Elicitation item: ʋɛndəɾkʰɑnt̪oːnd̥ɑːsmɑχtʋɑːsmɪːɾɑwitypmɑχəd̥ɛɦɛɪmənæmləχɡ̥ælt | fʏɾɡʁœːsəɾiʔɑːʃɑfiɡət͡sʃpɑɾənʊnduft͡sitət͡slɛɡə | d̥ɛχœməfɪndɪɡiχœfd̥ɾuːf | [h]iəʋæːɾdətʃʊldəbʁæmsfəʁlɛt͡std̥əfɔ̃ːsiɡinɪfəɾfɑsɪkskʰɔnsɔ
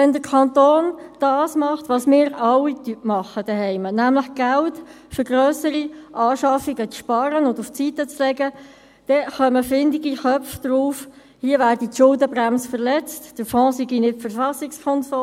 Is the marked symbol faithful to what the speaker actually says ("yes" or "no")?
yes